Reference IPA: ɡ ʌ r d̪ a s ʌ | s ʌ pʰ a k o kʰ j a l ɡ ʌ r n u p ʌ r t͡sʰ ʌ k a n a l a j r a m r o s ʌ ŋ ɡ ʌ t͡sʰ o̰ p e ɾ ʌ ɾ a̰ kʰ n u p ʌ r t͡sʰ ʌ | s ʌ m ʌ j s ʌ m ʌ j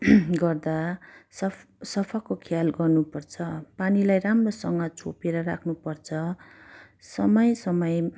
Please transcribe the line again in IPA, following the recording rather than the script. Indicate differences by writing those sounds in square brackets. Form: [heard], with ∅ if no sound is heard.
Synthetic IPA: ɡ ʌ r d̪ a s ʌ | s ʌ pʰ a k o kʰ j a l ɡ ʌ r n u p ʌ r t͡sʰ ʌ [p] a n [i] l a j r a m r o s ʌ ŋ ɡ ʌ t͡sʰ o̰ p e ɾ ʌ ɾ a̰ kʰ n u p ʌ r t͡sʰ ʌ | s ʌ m ʌ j s ʌ m ʌ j